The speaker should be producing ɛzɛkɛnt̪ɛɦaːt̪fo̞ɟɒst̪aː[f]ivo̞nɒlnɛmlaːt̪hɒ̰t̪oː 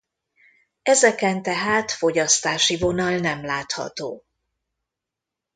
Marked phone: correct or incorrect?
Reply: incorrect: ʃ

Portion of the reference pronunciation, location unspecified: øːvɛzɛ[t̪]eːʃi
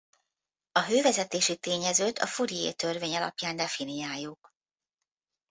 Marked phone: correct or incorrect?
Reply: correct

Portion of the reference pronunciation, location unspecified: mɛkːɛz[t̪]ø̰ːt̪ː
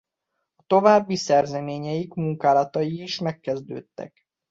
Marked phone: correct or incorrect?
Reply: incorrect: d̪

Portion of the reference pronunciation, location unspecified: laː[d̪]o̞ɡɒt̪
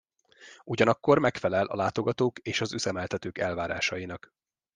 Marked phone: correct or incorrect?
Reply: incorrect: t̪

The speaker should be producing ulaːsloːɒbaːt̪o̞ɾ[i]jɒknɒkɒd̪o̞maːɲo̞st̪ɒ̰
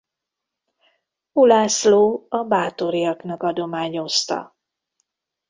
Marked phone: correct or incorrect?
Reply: correct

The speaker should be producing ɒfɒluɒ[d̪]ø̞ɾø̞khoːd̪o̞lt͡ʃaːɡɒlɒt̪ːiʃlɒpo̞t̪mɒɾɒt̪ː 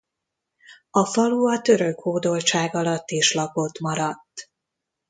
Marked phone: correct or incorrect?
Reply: incorrect: t̪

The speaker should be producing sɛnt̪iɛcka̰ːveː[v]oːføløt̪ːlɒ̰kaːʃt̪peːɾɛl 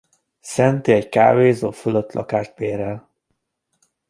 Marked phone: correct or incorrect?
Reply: incorrect: z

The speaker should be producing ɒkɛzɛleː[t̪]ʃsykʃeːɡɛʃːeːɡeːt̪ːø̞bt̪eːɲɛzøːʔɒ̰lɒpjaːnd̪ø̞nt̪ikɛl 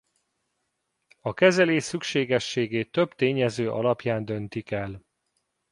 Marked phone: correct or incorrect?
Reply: incorrect: none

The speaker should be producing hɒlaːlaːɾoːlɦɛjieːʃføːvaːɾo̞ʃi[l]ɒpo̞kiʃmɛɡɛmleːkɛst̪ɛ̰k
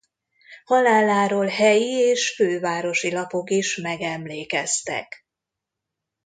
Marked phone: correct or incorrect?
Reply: correct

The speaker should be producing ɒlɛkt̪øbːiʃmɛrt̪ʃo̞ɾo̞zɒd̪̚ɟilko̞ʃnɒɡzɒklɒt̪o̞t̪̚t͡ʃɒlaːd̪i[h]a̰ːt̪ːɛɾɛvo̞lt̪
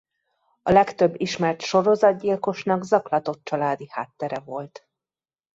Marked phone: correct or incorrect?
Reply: correct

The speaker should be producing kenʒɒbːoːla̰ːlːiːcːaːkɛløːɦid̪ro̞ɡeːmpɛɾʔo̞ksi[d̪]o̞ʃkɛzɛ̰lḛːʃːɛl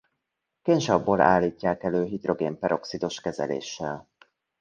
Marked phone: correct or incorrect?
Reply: correct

